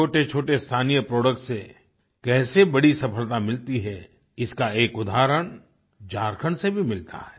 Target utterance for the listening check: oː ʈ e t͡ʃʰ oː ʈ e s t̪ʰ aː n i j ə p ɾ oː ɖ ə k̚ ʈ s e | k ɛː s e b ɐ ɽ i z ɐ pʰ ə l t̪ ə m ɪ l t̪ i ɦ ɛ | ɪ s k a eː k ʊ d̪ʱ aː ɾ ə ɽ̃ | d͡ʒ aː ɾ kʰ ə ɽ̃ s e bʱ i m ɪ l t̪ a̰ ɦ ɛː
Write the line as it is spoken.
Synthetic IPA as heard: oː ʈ e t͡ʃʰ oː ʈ e s t̪ʰ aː n i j ə p ɾ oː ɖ ə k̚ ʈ s e | k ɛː s e b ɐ ɽ i s ɐ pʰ ə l t̪ a m ɪ l t̪ i ɦ ɛ | ɪ s k a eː k ʊ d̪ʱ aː ɾ ə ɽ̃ | d͡ʒ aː ɾ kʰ ə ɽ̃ s e bʱ i m ɪ l t̪ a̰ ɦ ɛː

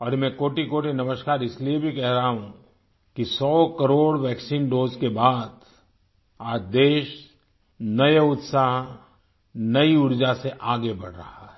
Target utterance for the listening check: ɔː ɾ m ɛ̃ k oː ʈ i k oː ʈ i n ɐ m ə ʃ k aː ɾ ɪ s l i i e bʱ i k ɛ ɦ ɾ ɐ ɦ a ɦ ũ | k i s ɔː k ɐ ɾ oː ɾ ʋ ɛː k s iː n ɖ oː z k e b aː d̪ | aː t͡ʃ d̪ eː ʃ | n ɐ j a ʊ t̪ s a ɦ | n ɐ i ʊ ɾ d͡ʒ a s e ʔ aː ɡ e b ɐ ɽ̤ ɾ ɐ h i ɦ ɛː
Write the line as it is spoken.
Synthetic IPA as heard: ɔː ɾ m ɛ̃ k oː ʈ i k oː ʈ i n ɐ m ə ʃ k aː ɾ ɪ s l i i e bʱ i k ɛ ɦ ɾ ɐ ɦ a ɦ ũ | k i s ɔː k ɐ ɾ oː ɽ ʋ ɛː k s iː n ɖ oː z k e b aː d̪ | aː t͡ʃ d̪ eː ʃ | n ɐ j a ʊ t̪ s a ɦ | n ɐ i ʊ ɾ d͡ʒ a s e ʔ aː ɡ e b ɐ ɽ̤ ɾ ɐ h a ɦ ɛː

